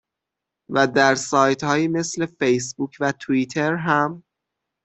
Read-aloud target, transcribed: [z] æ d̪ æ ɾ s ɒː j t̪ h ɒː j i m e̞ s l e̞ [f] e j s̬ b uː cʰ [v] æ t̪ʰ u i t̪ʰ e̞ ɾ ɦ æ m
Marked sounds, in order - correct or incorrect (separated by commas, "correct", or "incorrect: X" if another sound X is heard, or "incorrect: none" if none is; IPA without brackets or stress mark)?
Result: incorrect: v, correct, correct